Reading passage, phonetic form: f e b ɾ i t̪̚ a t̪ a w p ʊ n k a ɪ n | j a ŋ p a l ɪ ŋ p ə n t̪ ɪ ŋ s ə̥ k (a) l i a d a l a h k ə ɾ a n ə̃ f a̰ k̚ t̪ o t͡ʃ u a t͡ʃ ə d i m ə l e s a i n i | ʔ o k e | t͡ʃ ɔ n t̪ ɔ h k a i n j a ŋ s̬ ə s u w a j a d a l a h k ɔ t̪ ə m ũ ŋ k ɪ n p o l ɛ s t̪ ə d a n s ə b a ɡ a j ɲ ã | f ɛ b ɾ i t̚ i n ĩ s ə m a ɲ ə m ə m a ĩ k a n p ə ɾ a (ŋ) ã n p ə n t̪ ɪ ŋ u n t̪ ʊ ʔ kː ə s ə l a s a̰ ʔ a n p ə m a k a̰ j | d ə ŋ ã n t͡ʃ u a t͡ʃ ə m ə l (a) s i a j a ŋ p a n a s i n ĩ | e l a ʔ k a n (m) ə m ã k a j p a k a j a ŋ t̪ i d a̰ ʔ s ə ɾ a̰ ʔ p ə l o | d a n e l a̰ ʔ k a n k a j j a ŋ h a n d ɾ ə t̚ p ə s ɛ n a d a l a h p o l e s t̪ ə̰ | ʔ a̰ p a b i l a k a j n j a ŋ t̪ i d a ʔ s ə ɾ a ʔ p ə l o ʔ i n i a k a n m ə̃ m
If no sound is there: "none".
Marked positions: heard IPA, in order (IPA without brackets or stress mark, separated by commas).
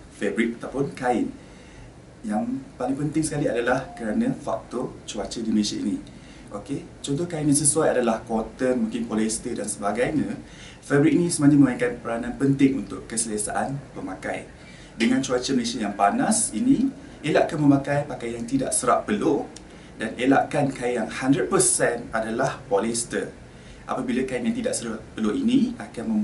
a, n, e, m